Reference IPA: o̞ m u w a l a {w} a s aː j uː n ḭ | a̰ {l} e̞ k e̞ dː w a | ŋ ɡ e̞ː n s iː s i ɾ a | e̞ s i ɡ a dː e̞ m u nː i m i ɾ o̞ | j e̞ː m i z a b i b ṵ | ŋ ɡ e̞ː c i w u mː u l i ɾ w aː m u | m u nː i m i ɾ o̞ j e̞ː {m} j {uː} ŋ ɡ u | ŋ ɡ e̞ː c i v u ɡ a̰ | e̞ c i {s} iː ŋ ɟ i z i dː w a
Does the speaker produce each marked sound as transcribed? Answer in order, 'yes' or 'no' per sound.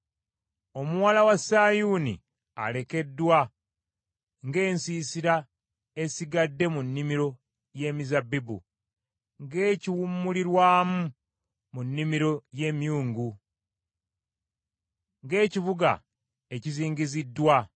yes, yes, yes, yes, no

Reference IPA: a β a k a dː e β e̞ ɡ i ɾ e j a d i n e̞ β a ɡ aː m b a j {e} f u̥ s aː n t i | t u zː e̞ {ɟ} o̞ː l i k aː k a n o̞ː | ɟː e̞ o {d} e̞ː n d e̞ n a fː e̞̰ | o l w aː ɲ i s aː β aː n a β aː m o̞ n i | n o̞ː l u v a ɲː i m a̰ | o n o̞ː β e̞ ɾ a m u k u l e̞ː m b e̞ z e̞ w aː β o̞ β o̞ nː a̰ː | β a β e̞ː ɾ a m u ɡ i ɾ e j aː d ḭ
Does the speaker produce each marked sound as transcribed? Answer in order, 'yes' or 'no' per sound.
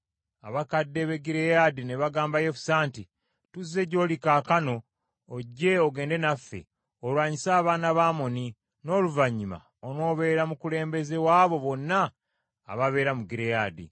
yes, yes, no

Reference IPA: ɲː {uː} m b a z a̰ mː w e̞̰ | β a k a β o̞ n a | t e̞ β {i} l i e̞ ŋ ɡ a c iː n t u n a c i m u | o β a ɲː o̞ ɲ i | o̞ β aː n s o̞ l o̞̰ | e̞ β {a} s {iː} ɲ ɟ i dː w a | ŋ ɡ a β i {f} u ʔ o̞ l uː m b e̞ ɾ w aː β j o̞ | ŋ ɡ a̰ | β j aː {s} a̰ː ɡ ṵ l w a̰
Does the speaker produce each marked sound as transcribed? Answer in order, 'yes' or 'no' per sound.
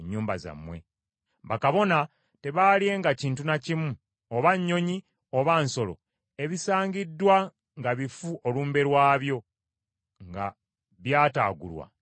yes, no, no, no, yes, no

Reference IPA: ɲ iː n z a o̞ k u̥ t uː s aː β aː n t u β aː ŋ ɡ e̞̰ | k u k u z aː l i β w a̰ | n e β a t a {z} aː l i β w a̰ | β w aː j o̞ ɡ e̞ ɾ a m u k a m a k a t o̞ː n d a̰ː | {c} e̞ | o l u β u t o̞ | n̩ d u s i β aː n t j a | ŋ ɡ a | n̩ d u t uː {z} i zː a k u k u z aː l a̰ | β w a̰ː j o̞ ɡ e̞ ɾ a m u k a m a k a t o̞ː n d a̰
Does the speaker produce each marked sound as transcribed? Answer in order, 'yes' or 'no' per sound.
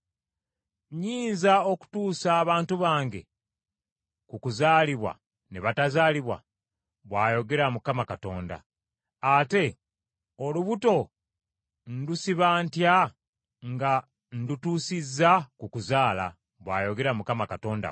yes, no, no

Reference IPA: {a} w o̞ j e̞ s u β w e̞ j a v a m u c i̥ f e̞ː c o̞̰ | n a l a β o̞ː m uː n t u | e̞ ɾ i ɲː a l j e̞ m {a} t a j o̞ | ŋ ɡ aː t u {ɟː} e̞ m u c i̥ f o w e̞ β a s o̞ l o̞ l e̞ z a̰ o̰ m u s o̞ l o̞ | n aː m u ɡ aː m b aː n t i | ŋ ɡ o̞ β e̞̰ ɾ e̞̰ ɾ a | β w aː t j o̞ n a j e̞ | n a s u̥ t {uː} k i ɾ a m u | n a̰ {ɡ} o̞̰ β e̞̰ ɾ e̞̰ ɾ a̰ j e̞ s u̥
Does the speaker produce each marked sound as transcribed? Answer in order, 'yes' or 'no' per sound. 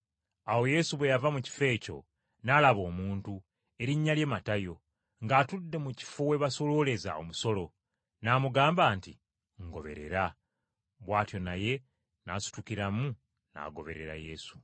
yes, yes, no, no, yes

